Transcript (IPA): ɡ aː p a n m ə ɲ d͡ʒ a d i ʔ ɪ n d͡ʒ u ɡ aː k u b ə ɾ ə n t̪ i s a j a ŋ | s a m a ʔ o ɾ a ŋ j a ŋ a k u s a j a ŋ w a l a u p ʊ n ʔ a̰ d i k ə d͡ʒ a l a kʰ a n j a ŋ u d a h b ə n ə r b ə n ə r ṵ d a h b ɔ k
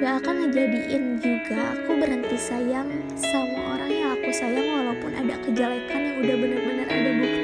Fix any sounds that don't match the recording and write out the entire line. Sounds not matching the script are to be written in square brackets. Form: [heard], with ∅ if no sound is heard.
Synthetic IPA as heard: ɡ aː [k] a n m ə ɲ d͡ʒ a d i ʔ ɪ n d͡ʒ u ɡ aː k u b ə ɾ ə n t̪ i s a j a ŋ | s a m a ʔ o ɾ a ŋ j a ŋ a k u s a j a ŋ w a l a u p ʊ n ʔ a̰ d [a] k ə d͡ʒ a l a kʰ a n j a ŋ u d a h b ə n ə r b ə n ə r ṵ d a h b [u] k